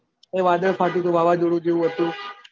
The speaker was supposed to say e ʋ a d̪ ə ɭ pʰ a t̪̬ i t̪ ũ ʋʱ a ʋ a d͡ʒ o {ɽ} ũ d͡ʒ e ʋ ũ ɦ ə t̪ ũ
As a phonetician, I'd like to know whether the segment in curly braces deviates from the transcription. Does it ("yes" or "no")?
no